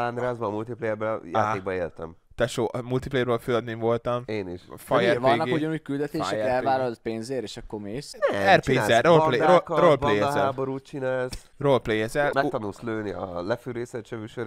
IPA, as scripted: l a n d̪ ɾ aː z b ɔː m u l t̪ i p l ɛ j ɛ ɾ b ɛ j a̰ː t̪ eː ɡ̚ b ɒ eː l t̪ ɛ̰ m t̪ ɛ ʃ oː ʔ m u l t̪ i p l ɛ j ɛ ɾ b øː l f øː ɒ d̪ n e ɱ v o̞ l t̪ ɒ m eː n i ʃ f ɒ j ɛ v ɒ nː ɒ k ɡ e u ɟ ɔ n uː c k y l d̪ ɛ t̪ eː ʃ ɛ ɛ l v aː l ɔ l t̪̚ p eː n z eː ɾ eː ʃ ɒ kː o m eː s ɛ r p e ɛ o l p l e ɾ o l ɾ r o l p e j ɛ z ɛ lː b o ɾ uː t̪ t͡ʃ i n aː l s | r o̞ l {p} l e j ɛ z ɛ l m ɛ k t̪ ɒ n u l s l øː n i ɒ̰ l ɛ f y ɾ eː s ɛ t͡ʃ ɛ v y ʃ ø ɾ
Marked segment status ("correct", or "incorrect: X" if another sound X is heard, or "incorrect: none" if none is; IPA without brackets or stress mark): correct